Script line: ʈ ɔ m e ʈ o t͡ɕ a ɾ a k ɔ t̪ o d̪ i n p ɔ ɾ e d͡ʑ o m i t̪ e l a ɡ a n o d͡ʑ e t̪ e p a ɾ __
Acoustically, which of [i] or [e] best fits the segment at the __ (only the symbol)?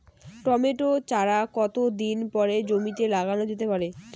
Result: e